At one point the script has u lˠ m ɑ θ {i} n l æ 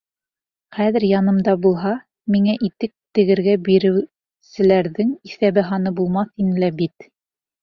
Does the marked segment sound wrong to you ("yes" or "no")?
no